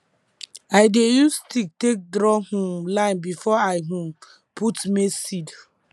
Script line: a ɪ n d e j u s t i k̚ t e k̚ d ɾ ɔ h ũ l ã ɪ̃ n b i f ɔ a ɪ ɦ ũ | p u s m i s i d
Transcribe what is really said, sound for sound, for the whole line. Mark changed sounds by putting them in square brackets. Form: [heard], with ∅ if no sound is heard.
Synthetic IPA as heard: a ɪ [∅] d e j u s t i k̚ t e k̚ d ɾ ɔ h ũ l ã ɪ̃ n b i f ɔ a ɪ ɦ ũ | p u [t] m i s i d